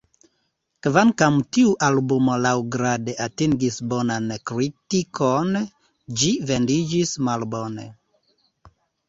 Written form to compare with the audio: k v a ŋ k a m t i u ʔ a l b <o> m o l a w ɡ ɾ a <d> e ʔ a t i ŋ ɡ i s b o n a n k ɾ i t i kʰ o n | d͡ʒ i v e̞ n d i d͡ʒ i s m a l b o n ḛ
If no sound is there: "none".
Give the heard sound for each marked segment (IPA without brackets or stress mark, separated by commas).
u, d